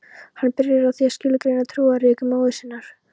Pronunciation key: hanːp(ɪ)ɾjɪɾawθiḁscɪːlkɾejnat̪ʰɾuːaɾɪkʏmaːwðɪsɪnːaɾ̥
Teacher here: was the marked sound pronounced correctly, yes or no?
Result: yes